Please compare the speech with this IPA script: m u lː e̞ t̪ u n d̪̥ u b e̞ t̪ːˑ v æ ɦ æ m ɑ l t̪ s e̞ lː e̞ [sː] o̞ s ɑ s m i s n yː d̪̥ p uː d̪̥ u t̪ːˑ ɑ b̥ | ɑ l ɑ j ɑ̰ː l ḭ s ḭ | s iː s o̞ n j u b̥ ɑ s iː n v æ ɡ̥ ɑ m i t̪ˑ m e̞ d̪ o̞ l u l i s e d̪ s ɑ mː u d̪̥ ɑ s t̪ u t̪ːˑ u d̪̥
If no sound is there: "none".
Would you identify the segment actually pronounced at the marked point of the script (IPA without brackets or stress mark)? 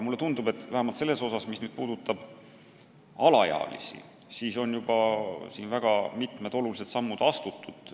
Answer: s